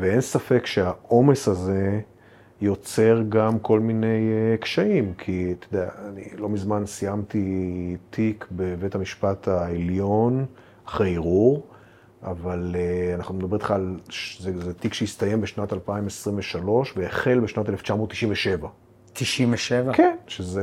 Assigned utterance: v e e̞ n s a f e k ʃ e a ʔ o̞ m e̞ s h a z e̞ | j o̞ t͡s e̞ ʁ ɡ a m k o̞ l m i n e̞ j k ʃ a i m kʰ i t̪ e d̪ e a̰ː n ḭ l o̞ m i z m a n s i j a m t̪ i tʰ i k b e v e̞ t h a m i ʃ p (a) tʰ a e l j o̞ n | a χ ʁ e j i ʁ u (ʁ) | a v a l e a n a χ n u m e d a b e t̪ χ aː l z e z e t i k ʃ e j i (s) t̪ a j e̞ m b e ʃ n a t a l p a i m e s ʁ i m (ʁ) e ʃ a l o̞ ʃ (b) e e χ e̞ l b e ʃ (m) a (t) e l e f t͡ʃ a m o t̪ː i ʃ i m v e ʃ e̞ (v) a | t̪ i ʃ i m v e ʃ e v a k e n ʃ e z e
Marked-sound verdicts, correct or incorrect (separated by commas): correct, correct, correct, incorrect, incorrect, incorrect, correct, correct